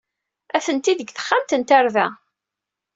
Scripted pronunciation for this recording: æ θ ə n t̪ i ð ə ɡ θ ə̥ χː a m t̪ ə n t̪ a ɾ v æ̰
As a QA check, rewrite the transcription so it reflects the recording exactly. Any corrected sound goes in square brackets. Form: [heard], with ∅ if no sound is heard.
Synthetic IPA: æ θ ə n t̪ i ð ə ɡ θ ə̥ χː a m t̪ ə n t̪ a ɾ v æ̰